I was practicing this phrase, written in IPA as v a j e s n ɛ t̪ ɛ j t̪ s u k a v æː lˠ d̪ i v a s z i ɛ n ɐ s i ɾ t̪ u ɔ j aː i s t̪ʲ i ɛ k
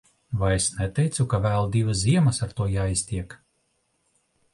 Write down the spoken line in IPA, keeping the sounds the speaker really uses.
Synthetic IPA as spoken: v a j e s n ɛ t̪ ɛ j t̪ s u k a v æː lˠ d̪ i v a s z i ɛ m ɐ s a ɾ t̪ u ɔ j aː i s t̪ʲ i ɛ k